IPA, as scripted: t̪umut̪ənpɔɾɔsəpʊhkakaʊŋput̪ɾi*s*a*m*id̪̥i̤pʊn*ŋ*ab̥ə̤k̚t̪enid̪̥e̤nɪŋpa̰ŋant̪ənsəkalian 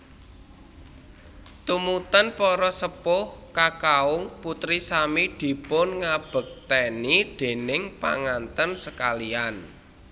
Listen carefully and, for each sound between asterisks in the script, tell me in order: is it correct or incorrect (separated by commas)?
correct, correct, correct